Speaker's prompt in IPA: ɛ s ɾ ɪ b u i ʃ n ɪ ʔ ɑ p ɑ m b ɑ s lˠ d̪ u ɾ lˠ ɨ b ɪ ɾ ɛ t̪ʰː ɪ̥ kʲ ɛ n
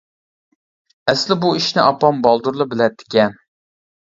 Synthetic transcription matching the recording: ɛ s l ɪ b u i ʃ n ɪ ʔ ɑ p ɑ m b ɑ lˠ d̪ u ɾ lˠ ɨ b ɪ l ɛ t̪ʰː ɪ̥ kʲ ɛ n